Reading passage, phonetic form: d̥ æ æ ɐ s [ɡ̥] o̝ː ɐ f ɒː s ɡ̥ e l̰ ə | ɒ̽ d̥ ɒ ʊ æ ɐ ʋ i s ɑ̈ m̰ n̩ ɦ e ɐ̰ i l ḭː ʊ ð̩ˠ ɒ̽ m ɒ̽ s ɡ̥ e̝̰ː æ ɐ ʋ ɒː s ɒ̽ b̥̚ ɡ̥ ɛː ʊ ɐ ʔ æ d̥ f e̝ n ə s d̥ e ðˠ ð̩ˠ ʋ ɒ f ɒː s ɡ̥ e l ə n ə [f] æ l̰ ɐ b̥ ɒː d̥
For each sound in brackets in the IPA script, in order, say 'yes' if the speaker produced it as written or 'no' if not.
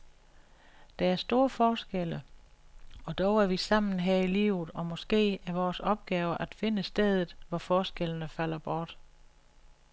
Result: no, yes

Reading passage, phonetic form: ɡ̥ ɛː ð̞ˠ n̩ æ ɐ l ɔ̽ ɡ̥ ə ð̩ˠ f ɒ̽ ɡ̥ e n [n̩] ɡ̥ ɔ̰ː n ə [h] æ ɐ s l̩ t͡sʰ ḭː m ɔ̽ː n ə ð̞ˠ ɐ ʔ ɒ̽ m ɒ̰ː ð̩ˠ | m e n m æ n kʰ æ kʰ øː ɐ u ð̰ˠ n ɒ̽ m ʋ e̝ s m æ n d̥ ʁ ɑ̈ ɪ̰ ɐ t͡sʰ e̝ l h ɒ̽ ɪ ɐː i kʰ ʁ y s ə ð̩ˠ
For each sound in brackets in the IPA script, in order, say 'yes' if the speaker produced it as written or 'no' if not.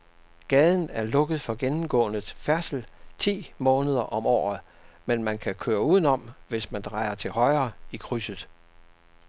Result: no, no

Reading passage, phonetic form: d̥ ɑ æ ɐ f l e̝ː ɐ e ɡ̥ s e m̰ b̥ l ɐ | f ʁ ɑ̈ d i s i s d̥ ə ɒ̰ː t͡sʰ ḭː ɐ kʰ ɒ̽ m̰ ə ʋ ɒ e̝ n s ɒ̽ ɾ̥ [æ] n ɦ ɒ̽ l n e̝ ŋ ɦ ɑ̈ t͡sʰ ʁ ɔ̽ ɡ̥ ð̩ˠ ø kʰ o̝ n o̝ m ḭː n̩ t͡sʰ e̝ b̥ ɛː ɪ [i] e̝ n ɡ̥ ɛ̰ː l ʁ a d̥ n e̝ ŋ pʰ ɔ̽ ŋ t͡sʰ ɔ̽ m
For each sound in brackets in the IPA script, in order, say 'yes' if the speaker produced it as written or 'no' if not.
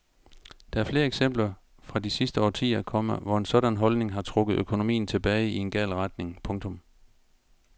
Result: yes, yes

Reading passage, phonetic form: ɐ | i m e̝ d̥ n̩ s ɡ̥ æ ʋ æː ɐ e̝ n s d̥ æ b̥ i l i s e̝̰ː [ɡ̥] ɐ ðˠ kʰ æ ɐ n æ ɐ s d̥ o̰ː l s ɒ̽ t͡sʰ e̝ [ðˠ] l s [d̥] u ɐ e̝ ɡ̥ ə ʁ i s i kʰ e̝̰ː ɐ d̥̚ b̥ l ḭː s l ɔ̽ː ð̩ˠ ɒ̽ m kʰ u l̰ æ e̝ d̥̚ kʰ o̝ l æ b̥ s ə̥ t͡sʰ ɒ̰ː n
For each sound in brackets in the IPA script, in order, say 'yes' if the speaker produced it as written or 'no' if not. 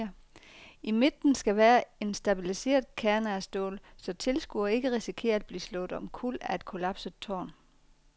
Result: no, no, no

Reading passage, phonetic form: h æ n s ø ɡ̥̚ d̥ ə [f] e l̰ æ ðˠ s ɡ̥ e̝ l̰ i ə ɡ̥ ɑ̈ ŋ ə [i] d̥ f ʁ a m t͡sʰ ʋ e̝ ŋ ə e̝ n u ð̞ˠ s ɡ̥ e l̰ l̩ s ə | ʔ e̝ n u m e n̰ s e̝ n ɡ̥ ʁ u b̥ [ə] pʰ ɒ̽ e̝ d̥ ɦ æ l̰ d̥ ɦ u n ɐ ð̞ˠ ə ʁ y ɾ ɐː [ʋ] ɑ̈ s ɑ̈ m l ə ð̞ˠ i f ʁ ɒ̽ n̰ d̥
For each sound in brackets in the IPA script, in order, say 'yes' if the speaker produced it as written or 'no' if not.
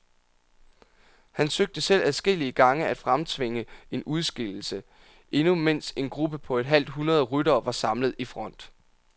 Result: no, no, yes, yes

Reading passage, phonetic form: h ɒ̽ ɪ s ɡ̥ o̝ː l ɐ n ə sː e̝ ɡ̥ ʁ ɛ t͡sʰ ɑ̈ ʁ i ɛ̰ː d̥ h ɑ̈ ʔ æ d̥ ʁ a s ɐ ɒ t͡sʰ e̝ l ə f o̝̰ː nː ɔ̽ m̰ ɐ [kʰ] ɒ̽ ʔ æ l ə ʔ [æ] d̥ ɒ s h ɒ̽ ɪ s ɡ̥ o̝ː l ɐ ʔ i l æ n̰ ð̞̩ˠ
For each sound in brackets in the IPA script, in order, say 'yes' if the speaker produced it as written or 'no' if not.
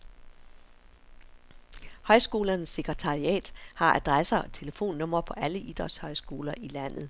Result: no, no

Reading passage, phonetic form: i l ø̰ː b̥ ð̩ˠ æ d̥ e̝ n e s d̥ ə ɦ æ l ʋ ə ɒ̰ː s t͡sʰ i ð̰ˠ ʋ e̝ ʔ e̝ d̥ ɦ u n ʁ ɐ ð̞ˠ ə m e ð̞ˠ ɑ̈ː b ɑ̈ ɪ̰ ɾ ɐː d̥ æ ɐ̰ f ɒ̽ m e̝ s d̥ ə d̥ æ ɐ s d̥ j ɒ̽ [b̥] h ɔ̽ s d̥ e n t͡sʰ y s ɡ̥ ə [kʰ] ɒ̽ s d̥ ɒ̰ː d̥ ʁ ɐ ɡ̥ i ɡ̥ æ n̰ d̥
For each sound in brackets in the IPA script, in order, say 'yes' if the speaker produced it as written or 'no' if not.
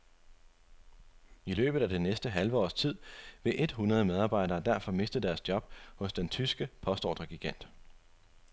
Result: yes, no

